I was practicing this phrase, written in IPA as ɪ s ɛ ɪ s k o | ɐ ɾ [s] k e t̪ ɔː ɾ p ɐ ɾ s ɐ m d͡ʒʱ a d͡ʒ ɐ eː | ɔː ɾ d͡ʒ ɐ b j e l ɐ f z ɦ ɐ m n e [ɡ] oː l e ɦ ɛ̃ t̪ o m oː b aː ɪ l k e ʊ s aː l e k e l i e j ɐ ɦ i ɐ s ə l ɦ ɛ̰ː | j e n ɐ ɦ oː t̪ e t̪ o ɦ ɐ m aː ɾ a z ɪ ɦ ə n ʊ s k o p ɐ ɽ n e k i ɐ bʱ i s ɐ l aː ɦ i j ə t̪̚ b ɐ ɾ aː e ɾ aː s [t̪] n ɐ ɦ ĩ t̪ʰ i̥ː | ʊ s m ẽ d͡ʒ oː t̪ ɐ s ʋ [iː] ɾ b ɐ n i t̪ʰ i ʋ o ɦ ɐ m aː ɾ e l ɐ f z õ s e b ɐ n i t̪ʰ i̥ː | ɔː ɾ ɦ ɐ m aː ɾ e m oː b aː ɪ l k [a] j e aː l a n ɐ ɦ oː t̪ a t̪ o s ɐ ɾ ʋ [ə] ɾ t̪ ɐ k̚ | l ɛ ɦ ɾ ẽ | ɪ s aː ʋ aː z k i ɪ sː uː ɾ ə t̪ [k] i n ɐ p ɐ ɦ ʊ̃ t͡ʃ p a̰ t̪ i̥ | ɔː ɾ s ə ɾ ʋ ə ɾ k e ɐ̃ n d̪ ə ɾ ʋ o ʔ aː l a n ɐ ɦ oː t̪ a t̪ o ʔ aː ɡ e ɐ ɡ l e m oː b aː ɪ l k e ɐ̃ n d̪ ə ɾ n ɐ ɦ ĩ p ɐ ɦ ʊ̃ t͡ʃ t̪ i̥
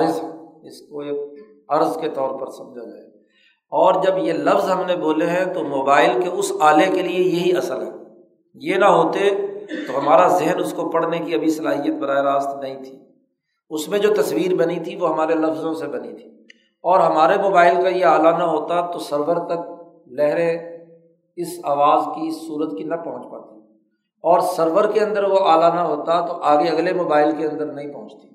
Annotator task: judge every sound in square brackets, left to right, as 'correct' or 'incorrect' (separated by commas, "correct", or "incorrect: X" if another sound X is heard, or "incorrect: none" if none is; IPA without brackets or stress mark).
incorrect: z, incorrect: b, correct, correct, correct, correct, correct